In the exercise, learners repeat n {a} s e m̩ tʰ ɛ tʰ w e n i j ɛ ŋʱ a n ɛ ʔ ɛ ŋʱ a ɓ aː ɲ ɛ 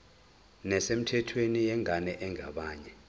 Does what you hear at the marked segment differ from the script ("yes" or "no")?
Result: yes